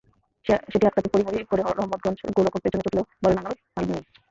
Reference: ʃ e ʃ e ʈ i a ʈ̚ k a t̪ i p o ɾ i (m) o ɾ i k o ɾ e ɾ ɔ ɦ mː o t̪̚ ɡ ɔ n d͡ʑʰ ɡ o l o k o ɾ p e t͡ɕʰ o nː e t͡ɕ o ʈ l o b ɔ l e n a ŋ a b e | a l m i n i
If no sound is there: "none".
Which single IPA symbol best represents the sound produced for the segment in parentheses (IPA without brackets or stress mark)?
m